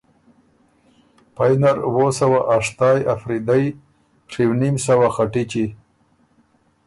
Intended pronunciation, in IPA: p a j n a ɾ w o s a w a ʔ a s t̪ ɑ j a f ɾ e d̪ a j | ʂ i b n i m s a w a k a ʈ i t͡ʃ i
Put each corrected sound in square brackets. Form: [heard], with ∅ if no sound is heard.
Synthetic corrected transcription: p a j n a ɾ w o s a w a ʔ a [ʂ] t̪ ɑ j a f ɾ [i] d̪ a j | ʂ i [w] n i m s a w a [x] a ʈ i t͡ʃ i